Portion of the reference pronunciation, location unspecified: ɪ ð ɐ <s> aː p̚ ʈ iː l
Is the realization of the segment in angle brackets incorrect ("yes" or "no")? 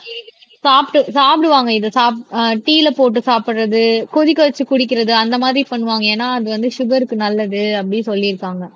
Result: no